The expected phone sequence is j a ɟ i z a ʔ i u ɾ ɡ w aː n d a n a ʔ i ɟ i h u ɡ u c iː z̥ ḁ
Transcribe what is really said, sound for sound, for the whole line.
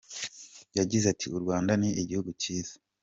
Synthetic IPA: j a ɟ i z a t i u ɾ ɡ w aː n d a n i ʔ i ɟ i h u ɡ u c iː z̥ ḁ